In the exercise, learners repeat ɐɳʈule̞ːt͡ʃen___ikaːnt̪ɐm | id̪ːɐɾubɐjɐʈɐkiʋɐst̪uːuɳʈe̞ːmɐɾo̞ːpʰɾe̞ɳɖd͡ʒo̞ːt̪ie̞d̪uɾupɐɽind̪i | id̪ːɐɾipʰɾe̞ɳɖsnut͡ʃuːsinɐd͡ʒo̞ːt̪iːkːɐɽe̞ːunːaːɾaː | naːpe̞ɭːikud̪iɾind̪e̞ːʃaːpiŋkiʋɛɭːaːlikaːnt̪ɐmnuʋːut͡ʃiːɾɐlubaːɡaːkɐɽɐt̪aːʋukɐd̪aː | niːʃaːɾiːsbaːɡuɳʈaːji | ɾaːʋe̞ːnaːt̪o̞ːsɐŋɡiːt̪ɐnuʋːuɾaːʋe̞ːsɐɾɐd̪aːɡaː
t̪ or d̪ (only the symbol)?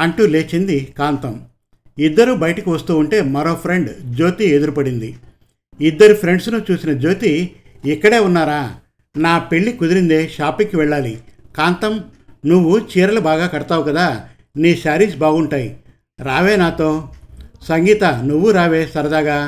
d̪